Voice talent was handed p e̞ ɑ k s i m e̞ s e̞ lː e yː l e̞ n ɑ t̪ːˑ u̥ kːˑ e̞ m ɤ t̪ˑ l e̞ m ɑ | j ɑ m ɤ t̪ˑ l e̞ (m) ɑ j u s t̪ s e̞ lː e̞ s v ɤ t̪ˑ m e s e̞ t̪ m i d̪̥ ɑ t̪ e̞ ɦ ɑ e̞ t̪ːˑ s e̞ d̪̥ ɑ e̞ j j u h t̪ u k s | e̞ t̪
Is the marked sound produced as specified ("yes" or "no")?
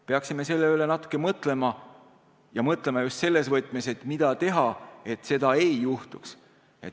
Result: yes